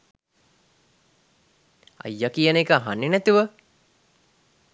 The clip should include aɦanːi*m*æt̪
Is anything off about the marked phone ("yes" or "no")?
yes